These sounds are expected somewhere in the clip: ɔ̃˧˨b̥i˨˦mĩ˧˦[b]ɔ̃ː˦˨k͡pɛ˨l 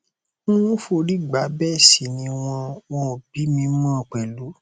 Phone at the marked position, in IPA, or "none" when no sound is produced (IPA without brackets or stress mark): m